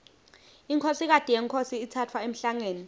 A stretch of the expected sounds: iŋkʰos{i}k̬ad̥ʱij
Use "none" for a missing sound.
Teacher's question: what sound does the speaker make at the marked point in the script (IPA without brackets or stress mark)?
i